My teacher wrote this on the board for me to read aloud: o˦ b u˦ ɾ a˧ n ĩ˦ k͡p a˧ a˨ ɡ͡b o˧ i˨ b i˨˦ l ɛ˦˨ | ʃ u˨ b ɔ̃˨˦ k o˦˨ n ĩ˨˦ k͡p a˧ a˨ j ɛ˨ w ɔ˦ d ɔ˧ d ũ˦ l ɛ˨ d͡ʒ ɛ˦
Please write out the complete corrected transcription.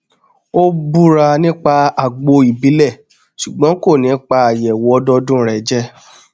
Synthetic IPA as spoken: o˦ b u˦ ɾ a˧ n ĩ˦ k͡p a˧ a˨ ɡ͡b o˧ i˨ b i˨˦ l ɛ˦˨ | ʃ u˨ ɡ͡b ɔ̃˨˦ k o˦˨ n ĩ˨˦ k͡p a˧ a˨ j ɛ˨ w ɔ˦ d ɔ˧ d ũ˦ ɾ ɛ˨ d͡ʒ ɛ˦